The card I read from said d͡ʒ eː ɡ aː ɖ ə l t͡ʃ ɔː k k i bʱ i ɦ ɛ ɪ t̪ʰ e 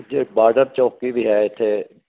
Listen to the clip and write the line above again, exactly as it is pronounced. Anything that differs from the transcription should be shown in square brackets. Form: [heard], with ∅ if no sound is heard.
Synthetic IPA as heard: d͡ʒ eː [b] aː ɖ ə [ɾ] t͡ʃ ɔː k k i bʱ i ɦ ɛ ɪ t̪ʰ e